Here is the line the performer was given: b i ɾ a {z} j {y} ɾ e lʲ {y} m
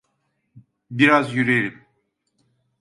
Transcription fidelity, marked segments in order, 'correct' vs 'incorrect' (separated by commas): correct, correct, incorrect